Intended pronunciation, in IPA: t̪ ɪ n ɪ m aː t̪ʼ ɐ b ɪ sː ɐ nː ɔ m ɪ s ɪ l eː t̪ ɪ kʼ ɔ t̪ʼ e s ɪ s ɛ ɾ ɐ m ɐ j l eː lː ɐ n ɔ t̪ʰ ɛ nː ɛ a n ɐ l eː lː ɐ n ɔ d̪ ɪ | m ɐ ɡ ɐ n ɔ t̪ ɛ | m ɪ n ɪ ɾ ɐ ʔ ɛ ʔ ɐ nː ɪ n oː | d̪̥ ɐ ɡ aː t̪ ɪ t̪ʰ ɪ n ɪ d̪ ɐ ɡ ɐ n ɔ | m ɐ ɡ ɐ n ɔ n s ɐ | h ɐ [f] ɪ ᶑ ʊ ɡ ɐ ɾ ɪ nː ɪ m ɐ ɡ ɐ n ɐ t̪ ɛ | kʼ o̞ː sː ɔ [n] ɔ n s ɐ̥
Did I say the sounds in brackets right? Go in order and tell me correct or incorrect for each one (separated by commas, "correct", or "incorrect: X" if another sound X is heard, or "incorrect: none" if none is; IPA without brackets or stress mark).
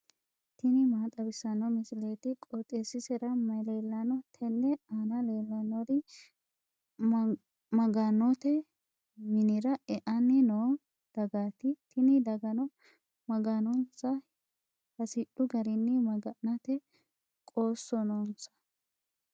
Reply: incorrect: s, correct